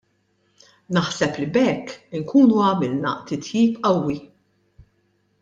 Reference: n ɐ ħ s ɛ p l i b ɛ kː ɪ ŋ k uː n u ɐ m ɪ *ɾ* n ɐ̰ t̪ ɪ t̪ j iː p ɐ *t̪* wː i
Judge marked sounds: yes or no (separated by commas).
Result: no, no